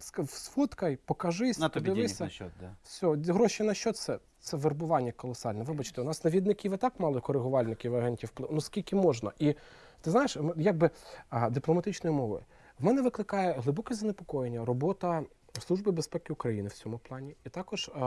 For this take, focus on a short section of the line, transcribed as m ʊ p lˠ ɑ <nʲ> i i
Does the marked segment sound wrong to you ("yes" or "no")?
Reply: no